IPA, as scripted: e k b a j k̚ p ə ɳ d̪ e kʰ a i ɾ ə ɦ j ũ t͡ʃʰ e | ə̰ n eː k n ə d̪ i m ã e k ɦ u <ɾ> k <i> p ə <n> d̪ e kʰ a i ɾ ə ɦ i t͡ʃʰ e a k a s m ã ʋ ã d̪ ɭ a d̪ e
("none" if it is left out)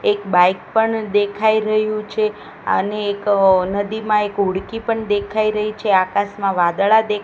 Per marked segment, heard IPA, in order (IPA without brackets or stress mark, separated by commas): ɽ, i, ɳ